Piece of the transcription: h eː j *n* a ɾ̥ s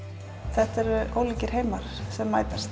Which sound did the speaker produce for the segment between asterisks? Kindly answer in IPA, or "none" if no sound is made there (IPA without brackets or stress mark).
m